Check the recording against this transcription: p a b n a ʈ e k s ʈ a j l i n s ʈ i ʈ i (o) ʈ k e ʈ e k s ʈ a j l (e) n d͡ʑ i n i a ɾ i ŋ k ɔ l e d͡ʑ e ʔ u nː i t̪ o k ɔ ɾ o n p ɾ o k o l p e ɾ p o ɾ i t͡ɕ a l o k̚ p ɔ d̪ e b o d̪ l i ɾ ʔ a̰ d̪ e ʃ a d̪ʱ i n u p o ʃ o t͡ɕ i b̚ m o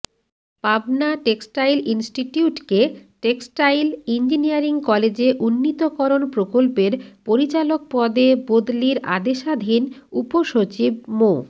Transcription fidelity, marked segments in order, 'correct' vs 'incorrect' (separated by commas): incorrect, incorrect